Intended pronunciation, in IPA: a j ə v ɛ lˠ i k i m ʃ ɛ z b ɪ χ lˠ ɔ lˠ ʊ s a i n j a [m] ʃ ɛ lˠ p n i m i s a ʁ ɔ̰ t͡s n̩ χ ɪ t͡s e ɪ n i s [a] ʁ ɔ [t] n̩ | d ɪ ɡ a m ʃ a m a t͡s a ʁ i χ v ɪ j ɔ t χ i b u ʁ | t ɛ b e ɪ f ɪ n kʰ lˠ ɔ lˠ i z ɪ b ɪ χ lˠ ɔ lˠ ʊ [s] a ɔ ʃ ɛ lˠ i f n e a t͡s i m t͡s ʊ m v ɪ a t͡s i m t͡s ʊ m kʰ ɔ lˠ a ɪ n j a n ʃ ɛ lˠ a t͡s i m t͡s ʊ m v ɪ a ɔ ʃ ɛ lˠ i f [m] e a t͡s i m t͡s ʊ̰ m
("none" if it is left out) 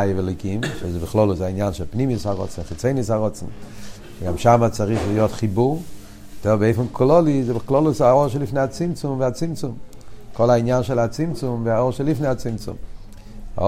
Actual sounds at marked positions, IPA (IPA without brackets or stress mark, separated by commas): n, a, t͡s, s, n